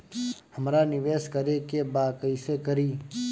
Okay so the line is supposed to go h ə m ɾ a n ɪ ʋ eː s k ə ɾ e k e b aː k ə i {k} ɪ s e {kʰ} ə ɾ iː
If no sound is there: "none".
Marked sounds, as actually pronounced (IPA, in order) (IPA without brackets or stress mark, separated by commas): none, k